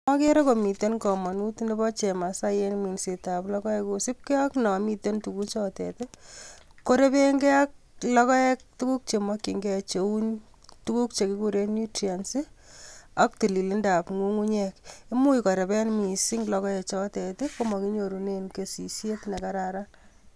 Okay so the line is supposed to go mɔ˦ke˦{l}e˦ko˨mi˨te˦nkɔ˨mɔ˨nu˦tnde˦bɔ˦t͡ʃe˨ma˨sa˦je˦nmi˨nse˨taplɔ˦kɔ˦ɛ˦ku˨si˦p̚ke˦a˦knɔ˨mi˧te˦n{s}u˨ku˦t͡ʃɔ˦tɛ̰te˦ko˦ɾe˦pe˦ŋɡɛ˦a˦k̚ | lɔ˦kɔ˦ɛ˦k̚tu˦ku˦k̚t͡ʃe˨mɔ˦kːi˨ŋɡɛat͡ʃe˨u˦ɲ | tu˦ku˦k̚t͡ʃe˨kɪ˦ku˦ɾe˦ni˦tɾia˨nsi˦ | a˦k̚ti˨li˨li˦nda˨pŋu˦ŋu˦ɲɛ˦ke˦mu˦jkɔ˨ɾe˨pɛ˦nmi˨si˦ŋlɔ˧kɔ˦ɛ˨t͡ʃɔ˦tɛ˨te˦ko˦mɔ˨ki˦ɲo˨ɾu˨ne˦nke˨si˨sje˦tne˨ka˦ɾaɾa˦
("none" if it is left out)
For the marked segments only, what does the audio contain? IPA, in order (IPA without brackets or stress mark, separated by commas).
ɾ, t